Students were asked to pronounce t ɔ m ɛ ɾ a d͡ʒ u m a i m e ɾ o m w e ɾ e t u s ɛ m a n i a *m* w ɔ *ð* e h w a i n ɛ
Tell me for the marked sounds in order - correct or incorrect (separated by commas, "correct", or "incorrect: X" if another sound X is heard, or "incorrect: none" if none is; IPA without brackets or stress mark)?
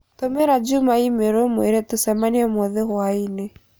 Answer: correct, correct